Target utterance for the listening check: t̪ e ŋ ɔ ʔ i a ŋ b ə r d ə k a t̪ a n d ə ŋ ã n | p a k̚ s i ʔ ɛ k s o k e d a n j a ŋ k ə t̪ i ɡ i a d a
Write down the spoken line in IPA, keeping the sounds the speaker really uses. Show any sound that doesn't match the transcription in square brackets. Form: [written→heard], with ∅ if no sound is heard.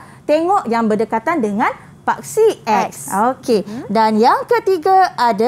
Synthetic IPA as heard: t̪ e ŋ ɔ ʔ [i→j] a ŋ b ə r d ə k a t̪ a n d ə ŋ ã n | p a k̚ s i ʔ ɛ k s o k e d a n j a ŋ k ə t̪ i ɡ [i→a] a d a